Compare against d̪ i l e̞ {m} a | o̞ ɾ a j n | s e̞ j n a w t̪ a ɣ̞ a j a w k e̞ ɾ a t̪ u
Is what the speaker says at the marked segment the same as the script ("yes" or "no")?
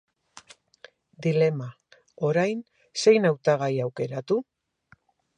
yes